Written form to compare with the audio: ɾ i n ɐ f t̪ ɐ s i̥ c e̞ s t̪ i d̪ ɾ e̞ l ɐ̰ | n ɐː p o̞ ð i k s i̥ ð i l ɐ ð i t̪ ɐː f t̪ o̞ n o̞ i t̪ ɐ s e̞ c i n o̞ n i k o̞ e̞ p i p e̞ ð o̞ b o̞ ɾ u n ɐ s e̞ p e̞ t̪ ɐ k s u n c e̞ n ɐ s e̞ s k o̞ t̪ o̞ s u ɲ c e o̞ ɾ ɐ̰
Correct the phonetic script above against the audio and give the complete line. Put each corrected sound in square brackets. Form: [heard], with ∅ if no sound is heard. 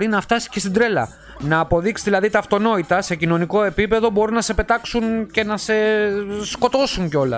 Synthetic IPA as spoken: ɾ i n ɐ f t̪ ɐ s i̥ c e̞ s t̪ i d̪ ɾ e̞ l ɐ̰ | n ɐː p o̞ ð i k s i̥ ð i l ɐ ð i t̪ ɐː f t̪ o̞ n o̞ i t̪ ɐ s e̞ c i n o̞ n i k o̞ e̞ p i p e̞ ð o̞ b o̞ ɾ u n ɐ s e̞ p e̞ t̪ ɐ k s u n c e̞ n ɐ s e̞ s k o̞ t̪ o̞ s u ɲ c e o̞ [l] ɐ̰